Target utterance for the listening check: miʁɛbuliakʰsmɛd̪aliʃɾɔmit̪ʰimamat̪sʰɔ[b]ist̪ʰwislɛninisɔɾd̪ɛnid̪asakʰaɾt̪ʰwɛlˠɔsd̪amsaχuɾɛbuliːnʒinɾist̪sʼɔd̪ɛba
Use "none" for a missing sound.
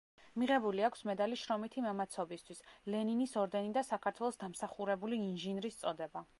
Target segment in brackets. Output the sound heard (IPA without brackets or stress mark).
b